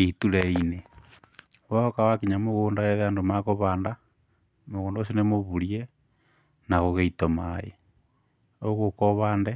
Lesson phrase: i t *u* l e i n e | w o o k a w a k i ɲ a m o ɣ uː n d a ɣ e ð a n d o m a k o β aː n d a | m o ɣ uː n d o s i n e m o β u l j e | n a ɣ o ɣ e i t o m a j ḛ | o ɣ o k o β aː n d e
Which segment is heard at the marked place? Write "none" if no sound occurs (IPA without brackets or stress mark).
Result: u